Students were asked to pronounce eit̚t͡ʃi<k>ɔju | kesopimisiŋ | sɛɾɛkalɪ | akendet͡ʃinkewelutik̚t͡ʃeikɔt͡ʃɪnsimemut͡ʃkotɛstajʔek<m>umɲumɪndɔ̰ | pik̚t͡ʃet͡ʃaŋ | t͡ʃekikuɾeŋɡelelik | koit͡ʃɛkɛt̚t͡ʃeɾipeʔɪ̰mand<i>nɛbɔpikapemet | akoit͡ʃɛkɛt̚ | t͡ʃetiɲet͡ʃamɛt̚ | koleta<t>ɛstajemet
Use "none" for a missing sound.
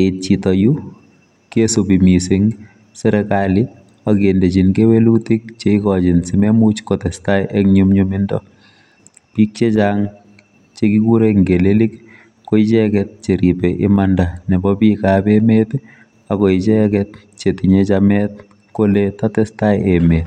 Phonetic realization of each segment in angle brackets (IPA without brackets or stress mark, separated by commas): t, ɲ, a, t